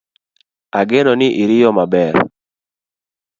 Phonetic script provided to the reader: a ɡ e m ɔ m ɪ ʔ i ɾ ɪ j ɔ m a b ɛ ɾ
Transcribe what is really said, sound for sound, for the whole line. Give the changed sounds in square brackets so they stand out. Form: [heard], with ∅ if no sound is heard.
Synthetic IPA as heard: a ɡ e [n] ɔ [n] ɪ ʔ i ɾ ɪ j ɔ m a b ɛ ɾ